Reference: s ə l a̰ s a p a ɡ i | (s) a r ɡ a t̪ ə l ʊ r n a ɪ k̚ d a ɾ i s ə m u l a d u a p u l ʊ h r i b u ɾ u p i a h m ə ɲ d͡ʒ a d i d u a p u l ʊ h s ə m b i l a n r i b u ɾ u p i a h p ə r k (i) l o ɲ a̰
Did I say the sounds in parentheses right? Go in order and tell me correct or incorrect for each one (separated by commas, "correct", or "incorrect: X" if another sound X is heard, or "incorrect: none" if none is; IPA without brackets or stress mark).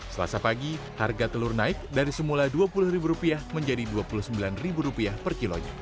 incorrect: h, correct